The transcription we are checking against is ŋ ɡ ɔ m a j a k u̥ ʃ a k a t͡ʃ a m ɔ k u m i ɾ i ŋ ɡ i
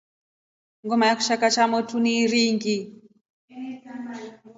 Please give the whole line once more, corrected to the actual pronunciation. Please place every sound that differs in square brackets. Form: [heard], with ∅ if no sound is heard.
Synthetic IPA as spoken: ŋ ɡ ɔ m a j a k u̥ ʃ a k a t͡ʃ a m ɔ [t] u [n] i ɾ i ŋ ɡ i